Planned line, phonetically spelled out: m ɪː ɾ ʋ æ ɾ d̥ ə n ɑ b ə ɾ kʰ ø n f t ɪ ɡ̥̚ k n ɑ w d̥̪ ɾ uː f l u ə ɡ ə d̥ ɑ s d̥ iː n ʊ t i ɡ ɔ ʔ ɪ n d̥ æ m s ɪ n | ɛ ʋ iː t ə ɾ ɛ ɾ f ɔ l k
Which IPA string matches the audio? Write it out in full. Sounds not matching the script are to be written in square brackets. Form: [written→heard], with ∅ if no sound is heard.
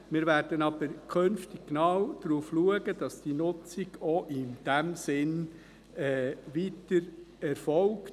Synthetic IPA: m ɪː ɾ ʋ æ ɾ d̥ ə n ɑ b ə ɾ kʰ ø n f t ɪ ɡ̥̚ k n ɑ w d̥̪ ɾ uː f l u ə ɡ ə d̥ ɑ s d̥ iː n ʊ [t→t͡s] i ɡ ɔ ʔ ɪ n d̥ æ m s ɪ n | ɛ ʋ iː t ə ɾ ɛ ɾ f ɔ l k